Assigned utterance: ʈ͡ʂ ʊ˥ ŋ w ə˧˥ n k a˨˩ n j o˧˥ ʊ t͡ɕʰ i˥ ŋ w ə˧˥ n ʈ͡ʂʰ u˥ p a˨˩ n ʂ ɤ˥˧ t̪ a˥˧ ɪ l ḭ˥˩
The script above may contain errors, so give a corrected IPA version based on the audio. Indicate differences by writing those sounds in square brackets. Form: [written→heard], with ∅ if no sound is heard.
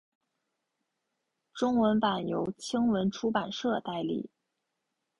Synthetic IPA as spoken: ʈ͡ʂ ʊ˥ ŋ w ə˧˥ n [k→p] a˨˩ n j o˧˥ ʊ t͡ɕʰ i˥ ŋ w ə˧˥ n ʈ͡ʂʰ u˥ p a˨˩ n ʂ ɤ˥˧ t̪ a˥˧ ɪ l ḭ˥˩